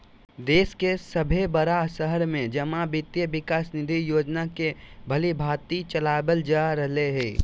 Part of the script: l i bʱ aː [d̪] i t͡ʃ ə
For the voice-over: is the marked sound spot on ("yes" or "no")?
no